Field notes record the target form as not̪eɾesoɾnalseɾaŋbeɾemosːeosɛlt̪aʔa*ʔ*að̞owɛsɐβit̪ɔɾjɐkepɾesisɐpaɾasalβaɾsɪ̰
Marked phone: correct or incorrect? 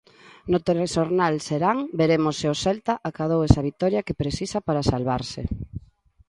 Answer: incorrect